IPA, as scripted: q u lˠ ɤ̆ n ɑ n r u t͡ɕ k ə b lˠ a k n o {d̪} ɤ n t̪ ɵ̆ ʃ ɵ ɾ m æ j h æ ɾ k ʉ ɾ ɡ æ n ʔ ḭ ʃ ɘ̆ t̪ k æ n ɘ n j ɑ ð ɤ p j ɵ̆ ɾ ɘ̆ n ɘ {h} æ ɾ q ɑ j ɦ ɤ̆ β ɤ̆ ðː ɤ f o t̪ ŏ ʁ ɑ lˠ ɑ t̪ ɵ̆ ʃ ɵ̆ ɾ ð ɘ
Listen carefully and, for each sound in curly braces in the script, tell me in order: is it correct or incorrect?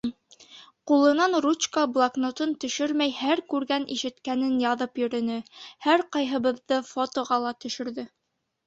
incorrect: t̪, correct

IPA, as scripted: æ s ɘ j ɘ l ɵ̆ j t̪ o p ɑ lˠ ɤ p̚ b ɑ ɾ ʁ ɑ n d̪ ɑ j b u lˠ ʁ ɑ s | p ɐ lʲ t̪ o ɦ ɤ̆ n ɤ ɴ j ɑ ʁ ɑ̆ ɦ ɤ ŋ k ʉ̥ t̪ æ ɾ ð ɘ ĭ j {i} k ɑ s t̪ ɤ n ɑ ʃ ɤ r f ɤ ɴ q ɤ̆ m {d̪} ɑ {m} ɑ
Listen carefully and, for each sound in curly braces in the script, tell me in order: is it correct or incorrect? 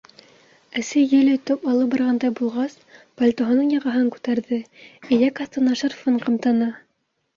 incorrect: æ, incorrect: t̪, incorrect: n

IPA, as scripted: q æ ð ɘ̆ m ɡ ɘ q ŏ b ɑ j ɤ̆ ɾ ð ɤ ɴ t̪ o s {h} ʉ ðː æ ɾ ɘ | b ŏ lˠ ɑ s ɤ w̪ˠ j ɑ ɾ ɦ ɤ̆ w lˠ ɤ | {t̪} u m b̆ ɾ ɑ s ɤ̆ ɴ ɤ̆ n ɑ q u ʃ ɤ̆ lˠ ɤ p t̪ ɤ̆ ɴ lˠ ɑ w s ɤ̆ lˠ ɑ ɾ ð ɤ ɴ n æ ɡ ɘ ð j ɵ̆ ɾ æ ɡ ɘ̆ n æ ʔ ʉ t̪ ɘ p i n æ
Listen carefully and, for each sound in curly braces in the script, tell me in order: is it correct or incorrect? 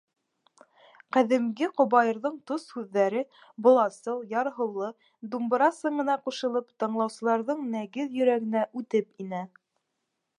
correct, incorrect: d̪

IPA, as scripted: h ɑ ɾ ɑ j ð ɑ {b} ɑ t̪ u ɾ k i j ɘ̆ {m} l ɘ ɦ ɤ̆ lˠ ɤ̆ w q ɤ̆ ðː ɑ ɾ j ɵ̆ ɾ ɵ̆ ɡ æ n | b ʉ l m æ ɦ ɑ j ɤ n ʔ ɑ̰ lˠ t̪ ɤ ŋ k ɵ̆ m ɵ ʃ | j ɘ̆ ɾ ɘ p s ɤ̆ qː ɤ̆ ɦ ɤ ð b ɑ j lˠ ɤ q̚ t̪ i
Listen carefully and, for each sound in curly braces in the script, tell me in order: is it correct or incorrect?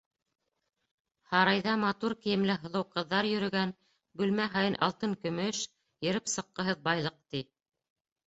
incorrect: m, correct

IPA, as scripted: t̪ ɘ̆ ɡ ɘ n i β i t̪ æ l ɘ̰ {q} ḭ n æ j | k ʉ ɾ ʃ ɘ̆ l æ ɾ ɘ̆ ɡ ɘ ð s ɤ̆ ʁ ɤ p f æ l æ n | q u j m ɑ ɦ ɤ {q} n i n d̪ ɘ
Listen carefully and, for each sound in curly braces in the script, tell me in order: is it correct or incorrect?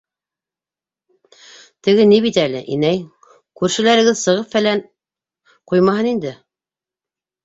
incorrect: ʔ, incorrect: none

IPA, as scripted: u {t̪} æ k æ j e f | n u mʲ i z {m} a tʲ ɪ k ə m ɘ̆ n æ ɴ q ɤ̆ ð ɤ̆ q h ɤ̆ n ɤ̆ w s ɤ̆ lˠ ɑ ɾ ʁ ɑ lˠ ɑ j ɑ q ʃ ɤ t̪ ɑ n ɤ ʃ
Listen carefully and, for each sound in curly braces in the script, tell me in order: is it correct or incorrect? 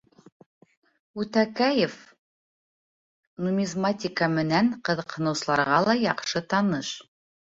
correct, correct

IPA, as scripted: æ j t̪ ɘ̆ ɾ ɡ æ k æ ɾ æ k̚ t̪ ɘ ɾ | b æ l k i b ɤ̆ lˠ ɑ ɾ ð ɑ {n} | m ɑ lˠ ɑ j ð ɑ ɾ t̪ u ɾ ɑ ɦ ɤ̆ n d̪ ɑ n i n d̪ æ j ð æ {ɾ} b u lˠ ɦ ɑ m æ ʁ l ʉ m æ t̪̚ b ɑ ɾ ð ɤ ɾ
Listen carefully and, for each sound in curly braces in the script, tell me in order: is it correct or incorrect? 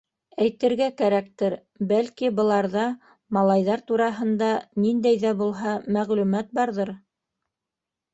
incorrect: none, incorrect: none

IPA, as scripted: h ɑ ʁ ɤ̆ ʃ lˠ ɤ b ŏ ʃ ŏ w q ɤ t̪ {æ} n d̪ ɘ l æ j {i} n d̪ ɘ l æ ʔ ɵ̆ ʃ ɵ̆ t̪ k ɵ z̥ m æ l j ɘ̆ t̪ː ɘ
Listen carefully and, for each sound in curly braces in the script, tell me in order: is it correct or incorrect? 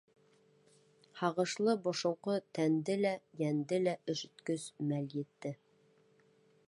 correct, incorrect: æ

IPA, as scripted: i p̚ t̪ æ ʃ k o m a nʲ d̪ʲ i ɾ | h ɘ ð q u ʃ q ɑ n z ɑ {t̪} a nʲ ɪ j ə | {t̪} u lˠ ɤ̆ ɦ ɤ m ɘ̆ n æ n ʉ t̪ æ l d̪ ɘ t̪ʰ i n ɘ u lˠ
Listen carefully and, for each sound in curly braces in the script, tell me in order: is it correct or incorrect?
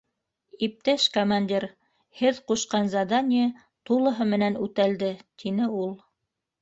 incorrect: d̪, correct

